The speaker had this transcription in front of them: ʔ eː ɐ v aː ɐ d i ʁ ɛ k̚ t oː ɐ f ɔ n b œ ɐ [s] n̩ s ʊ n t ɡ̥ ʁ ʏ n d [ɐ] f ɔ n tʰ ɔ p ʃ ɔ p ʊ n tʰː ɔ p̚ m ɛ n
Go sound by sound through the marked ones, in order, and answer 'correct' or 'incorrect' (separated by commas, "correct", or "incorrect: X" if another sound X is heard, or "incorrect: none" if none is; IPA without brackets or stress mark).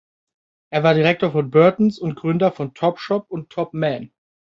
incorrect: t, correct